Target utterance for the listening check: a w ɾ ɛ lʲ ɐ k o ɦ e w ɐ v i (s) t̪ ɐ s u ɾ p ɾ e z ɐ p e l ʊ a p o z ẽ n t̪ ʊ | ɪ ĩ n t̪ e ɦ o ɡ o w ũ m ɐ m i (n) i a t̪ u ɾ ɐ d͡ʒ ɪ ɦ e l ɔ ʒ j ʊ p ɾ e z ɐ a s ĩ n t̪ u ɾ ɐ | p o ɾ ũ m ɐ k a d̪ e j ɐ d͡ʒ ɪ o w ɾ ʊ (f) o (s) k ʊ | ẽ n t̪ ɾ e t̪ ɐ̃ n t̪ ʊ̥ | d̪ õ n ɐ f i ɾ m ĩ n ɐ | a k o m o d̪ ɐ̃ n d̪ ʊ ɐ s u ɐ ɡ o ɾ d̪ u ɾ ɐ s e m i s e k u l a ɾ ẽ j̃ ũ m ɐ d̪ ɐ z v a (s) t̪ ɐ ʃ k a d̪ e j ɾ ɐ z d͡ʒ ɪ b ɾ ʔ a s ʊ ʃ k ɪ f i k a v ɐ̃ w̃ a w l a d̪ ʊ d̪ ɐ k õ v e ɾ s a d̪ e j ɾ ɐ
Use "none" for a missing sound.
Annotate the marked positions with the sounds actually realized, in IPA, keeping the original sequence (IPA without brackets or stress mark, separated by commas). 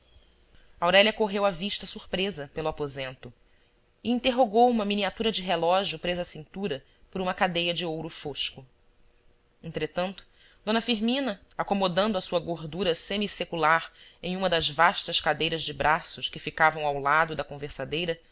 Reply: ʃ, n, f, ʃ, ʃ